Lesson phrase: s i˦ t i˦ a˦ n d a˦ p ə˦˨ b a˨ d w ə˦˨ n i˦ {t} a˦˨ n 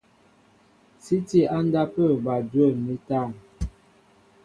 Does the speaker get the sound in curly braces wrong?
no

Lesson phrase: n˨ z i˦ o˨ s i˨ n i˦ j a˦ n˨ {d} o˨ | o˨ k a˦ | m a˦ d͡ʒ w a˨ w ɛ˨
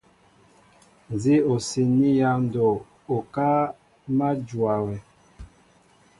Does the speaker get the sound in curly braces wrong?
no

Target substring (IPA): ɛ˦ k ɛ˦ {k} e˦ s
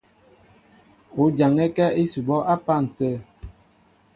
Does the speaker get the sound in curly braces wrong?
yes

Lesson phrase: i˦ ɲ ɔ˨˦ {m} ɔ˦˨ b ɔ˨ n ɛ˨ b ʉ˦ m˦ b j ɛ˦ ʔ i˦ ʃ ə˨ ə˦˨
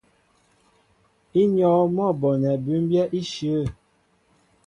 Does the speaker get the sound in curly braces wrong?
no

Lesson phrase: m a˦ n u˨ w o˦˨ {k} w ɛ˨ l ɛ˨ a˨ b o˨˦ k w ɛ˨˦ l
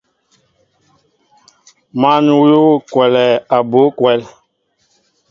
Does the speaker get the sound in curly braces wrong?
no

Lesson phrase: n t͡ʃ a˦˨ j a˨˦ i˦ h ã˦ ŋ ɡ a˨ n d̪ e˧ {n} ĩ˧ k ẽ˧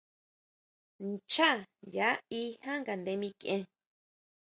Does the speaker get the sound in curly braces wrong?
yes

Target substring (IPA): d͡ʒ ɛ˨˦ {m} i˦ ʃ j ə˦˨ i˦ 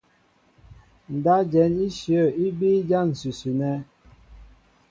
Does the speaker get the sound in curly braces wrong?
yes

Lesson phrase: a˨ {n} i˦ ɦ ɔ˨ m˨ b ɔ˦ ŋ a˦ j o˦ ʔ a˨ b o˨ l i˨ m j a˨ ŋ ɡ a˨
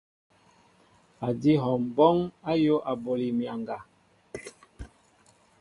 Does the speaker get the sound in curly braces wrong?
yes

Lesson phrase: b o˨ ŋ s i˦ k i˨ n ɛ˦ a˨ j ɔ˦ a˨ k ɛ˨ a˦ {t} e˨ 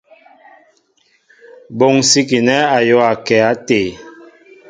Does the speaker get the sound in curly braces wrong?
no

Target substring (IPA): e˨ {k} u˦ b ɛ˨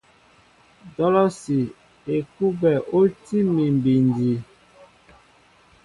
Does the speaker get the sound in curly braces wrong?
no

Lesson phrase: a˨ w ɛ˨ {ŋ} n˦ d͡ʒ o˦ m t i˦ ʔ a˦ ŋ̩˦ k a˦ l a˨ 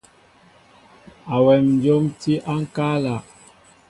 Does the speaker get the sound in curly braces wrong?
yes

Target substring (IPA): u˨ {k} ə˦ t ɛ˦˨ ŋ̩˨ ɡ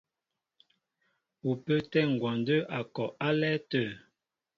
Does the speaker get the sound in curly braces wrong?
yes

